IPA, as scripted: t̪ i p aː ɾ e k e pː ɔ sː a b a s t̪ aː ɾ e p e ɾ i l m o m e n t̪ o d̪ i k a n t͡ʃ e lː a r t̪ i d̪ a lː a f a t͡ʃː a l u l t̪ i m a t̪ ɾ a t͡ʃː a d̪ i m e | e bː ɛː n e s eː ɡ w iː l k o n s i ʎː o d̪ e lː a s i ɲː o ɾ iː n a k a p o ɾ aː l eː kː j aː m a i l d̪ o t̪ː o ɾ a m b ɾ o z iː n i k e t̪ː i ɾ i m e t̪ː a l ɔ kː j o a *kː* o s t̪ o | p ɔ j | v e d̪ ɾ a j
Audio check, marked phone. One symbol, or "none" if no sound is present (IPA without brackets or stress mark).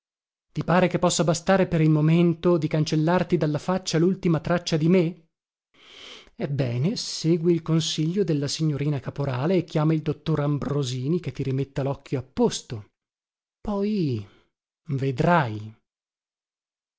pː